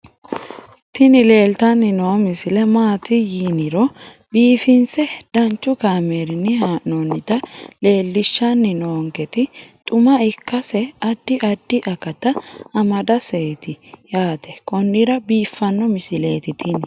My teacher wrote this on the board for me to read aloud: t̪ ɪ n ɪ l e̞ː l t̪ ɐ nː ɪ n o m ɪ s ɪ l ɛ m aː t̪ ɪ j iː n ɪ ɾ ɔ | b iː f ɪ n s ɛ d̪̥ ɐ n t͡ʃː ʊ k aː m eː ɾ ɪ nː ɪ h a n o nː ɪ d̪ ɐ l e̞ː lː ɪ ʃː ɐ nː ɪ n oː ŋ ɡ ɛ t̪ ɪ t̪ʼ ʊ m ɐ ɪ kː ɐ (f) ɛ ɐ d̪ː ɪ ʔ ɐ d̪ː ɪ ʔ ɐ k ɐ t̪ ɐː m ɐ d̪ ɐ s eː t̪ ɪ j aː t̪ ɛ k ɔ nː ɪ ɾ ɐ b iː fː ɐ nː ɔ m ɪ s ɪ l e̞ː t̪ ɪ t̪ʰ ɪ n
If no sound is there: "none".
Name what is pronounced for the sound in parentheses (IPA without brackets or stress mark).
s